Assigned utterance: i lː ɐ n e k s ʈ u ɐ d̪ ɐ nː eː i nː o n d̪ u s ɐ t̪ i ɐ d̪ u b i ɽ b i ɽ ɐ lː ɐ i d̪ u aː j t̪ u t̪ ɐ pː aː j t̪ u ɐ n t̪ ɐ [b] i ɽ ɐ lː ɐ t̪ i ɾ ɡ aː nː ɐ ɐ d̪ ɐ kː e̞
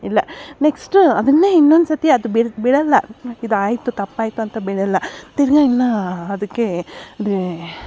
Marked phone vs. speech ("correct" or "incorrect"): correct